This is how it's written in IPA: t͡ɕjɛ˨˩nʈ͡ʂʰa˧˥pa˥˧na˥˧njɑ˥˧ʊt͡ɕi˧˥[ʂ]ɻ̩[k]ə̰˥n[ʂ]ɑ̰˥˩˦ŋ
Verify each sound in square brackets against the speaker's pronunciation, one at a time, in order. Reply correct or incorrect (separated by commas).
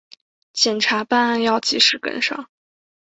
correct, correct, correct